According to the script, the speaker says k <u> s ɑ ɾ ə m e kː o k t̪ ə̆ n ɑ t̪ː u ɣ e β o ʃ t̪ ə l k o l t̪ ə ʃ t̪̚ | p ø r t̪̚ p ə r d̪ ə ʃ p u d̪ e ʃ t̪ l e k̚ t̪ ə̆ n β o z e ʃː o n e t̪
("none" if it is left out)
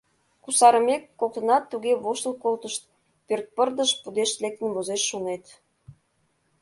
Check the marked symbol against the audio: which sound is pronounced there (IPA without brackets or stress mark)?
u